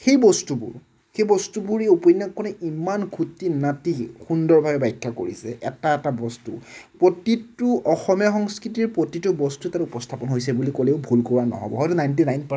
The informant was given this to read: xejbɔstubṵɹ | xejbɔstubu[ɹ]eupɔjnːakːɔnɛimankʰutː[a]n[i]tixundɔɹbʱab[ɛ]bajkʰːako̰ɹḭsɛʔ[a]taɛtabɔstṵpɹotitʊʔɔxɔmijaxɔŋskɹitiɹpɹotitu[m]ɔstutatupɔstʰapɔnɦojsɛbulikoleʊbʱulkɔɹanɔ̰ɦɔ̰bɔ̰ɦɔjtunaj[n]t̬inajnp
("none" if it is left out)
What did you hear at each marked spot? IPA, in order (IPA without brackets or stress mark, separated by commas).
ɹ, i, a, ɛ, ɛ, b, n